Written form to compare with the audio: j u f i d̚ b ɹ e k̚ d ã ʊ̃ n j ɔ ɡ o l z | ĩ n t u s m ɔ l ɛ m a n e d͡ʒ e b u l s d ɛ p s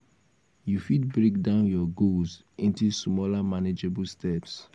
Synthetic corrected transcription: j u f i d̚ b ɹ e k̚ d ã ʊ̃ n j ɔ ɡ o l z | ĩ n t u s m ɔ l a m a n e d͡ʒ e b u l s t ɛ p s